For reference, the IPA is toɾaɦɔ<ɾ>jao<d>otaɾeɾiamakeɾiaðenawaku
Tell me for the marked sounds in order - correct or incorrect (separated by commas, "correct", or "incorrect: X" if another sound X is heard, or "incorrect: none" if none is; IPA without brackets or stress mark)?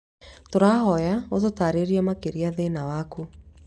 incorrect: none, incorrect: t